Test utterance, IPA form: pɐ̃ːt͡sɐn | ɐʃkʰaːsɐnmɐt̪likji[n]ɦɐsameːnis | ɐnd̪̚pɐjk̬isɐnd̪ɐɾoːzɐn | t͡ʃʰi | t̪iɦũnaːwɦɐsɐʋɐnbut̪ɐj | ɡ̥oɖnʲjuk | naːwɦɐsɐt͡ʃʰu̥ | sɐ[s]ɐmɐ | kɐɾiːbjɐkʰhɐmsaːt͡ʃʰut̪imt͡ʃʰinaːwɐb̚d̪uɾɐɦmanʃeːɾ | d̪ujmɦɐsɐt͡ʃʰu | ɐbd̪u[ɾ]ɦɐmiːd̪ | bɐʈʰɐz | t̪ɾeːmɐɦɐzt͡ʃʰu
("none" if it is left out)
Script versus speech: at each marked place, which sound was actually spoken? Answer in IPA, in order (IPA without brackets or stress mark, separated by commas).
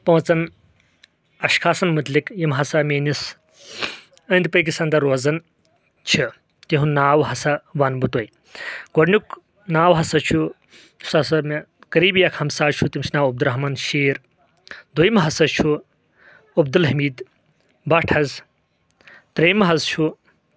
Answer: m, s, l